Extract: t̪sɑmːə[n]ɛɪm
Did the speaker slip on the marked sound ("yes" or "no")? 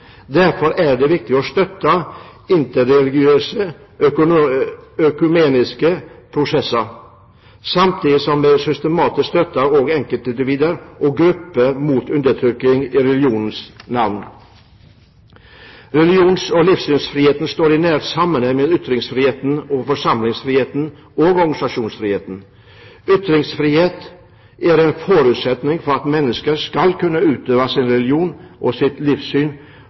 no